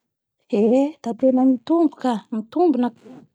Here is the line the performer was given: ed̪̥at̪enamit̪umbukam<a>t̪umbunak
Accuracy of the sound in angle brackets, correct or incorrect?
incorrect